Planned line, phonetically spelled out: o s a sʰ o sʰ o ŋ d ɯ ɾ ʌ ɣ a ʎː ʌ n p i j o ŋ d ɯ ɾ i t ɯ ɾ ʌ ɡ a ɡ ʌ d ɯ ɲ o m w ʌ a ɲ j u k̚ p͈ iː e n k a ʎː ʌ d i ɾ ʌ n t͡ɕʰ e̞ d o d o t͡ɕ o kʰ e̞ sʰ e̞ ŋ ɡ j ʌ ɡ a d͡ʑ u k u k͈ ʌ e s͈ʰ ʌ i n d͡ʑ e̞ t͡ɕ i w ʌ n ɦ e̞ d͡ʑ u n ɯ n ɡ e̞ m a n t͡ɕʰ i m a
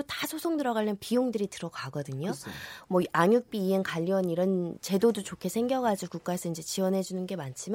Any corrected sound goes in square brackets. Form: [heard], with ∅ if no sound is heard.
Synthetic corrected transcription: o [t] a sʰ o sʰ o ŋ d ɯ ɾ ʌ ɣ a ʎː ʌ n p i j o ŋ d ɯ ɾ i t ɯ ɾ ʌ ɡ a ɡ ʌ d ɯ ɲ o m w ʌ a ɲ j u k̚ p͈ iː e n k a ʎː ʌ [n] i ɾ ʌ n [t͡ɕ] e̞ d o d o t͡ɕ o kʰ e̞ sʰ e̞ ŋ ɡ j ʌ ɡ a d͡ʑ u k u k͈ [a] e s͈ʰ ʌ i n d͡ʑ e̞ t͡ɕ i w ʌ n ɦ e̞ d͡ʑ u n ɯ n ɡ e̞ m a n t͡ɕʰ i m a